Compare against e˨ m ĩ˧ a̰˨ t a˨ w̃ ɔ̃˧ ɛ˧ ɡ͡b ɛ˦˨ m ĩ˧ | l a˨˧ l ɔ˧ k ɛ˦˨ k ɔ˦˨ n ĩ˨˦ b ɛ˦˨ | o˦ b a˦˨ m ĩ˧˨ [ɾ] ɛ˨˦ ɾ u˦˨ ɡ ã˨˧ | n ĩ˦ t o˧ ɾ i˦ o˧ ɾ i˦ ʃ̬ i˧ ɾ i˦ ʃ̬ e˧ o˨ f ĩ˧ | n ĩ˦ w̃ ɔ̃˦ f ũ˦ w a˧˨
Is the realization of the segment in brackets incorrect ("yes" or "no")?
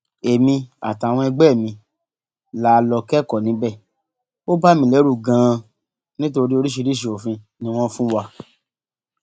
yes